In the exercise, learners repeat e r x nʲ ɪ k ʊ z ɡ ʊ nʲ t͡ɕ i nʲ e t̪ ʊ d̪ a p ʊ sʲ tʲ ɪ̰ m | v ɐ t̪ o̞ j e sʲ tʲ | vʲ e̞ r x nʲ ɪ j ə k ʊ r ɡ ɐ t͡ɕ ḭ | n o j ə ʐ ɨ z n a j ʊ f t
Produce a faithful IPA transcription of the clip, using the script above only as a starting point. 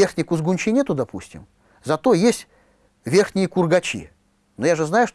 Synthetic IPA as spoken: e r x nʲ ɪ k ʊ z ɡ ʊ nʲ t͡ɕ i nʲ e t̪ ʊ d̪ ɐ p u sʲ tʲ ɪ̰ m | z ɐ t̪ o̞ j e sʲ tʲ | vʲ e̞ r x nʲ ɪ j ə k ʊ r ɡ ɐ t͡ɕ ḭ | n o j a ʐ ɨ z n a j ʊ ʂ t

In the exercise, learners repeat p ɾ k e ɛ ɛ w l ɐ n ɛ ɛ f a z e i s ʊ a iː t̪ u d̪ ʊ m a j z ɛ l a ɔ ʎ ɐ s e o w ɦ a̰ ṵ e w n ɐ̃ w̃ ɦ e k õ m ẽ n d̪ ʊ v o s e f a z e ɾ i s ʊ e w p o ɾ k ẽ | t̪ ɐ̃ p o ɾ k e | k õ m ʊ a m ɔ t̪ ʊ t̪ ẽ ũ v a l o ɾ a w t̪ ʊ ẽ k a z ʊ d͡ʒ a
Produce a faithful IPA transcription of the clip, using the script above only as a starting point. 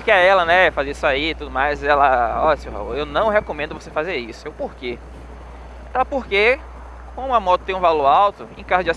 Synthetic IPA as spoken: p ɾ k e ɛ ɛ l ɐ n ɛ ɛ f a z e i s ʊ a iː t̪ u d̪ ʊ m a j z ɛ l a ɔ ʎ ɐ s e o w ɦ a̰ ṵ e w n ɐ̃ w̃ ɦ e k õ m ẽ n d̪ ʊ v o s e f a z e ɾ i s ʊ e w p o ɾ k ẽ | t̪ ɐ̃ p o ɾ k e | k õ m ʊ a m ɔ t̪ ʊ t̪ ẽ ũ v a l o ɾ a w t̪ ʊ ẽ k a z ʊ d͡ʒ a

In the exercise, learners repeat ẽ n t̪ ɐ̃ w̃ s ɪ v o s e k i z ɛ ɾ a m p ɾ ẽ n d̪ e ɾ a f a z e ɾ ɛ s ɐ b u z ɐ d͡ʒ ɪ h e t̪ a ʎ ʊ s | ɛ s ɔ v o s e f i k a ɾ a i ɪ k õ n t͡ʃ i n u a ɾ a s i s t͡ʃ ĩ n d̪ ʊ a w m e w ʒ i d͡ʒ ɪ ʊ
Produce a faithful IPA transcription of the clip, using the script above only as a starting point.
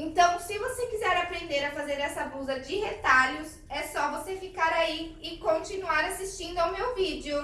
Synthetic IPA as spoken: ẽ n t̪ ɐ̃ w̃ s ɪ v o s e k i z ɛ ɾ a p ɾ ẽ n d̪ e ɾ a f a z e ɾ ɛ s ɐ b u z ɐ d͡ʒ ɪ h e t̪ a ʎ ʊ s | ɛ s ɔ v o s e f i k a ɾ a i ɪ k õ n t͡ʃ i n u a ɾ a s i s t͡ʃ ĩ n d̪ ʊ a w m e w v i d͡ʒ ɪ ʊ

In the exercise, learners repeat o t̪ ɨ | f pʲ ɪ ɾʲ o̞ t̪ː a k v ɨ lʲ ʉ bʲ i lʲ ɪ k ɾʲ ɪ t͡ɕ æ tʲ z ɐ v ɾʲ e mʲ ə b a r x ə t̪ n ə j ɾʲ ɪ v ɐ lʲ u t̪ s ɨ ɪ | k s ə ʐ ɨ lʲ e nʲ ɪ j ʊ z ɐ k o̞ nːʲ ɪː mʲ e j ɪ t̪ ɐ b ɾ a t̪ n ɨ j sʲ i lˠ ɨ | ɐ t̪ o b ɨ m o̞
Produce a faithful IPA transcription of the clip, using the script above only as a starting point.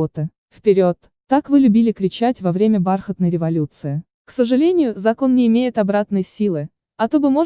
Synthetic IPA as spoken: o t̪ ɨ | f pʲ ɪ ɾʲ o̞ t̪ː a k v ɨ lʲ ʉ bʲ i lʲ ɪ k ɾʲ ɪ t͡ɕ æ tʲ v ɐ v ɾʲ e mʲ ə b a r x ə t̪ n ə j ɾʲ ɪ v ɐ lʲ u t̪ s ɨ ɪ | k s ə ʐ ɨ lʲ e nʲ ɪ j ʊ z ɐ k o̞ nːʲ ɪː mʲ e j ɪ t̪ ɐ b ɾ a t̪ n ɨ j sʲ i lˠ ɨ | ɐ t̪ o b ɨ m o̞

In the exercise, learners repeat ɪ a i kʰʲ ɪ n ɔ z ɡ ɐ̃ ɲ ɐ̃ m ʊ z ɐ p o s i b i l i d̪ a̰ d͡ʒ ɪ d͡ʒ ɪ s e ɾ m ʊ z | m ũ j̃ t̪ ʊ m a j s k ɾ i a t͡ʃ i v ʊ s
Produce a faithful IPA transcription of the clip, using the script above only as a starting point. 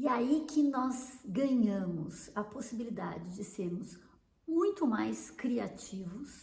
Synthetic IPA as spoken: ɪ a i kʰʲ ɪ n ɔ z ɡ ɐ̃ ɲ ɐ̃ m ʊ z ɐ p o s i b i l i d̪ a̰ d͡ʒ ɪ d͡ʒ ɪ s e ɾ m ʊ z | m ũ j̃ t̪ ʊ m a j s k ɾ i a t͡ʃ i v ʊ s

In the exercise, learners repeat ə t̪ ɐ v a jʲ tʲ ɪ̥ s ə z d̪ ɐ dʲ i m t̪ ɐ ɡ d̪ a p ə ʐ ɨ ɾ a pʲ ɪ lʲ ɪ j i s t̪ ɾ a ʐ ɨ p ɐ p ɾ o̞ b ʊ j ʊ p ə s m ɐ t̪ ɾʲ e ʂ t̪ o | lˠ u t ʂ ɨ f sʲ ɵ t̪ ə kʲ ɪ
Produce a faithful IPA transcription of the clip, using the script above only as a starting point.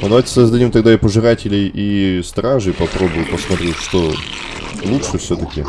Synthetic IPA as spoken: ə d̪ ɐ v a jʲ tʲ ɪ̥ s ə z d̪ ɐ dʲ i m t̪ ɐ ɡ d̪ a p ə ʐ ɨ ɾ a tʲ ɪ lʲ ɪ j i s t̪ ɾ a ʐ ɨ p ɐ p ɾ o̞ b ʊ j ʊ p ə s m ɐ t̪ ɾʲ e ʂ t̪ o | lˠ u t ʂ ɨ f sʲ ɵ t̪ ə kʲ ɪ

